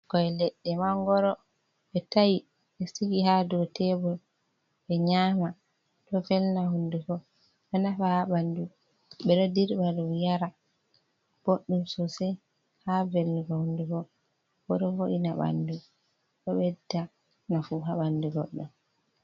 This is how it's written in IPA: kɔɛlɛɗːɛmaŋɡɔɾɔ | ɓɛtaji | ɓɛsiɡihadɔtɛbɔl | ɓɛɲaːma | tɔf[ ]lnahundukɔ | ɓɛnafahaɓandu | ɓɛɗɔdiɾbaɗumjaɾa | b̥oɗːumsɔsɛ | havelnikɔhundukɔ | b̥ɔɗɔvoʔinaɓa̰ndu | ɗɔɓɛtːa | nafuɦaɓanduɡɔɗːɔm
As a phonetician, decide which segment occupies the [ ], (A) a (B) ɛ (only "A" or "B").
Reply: B